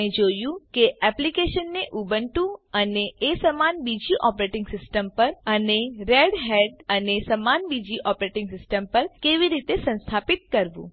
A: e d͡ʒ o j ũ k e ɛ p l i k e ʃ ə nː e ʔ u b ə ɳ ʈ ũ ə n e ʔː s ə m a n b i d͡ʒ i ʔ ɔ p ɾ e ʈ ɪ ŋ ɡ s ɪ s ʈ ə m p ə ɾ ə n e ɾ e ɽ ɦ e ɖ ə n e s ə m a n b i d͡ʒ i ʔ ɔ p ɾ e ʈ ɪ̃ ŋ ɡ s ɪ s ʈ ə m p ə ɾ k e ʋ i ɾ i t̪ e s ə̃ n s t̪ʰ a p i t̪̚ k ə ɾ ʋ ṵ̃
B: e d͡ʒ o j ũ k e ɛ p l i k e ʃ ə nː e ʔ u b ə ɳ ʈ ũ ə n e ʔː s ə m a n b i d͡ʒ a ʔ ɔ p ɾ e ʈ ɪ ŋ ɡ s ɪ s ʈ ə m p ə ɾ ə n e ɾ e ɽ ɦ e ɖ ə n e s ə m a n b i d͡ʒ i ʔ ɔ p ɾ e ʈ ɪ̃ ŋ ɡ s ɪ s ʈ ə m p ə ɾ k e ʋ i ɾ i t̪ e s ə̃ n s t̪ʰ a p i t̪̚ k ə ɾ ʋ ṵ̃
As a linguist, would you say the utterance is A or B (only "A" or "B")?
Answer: A